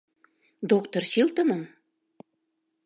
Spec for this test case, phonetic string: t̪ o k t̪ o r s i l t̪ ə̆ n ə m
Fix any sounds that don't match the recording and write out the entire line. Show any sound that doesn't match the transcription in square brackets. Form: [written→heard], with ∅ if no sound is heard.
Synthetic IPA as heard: [t̪→d̪] o k t̪ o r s i l t̪ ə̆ n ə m